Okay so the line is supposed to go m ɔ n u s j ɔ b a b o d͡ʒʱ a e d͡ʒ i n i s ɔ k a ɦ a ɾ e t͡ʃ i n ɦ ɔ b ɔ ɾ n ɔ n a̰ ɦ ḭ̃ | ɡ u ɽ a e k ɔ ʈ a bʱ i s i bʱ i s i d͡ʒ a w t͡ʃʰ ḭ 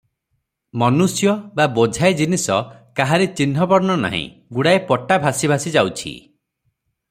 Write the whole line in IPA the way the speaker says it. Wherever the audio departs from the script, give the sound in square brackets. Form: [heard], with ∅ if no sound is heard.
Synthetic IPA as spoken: m ɔ n u s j ɔ b a b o d͡ʒʱ a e d͡ʒ i n i s ɔ k a ɦ a ɾ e t͡ʃ i n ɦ ɔ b ɔ ɾ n ɔ n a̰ ɦ ḭ̃ | ɡ u ɽ a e [p] ɔ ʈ a bʱ [a] s i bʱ [a] s i d͡ʒ a w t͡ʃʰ ḭ